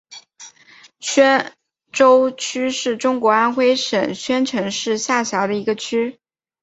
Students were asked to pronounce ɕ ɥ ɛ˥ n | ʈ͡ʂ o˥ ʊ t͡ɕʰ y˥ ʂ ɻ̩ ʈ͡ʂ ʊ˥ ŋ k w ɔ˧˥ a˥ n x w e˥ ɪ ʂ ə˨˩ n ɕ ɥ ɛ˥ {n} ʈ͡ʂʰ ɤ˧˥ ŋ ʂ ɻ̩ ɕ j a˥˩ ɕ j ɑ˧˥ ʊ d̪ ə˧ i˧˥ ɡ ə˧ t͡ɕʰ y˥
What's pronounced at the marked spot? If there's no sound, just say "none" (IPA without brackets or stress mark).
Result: n